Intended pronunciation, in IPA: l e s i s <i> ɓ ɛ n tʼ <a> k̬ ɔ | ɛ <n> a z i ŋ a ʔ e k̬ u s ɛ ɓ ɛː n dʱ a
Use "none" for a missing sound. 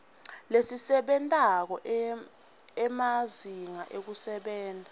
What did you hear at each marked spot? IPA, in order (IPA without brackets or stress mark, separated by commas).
ɛ, a, m